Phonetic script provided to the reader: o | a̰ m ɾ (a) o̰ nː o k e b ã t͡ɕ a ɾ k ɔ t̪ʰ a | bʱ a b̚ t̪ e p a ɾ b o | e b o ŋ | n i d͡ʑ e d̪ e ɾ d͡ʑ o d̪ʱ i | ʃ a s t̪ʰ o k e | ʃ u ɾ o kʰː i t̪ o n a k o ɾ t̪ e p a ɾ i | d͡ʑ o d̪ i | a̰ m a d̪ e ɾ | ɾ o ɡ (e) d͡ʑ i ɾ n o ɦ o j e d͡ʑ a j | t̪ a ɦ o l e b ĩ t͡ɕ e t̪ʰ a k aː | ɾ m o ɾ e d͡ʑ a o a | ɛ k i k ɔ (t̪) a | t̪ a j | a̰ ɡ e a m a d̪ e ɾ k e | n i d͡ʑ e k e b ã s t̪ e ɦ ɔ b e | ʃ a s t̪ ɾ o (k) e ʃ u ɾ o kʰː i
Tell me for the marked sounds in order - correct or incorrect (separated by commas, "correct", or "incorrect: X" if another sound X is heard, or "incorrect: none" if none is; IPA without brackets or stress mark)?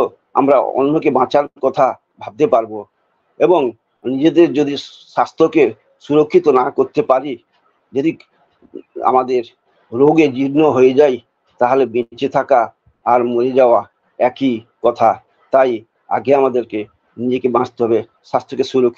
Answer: correct, correct, incorrect: t̪ʰ, correct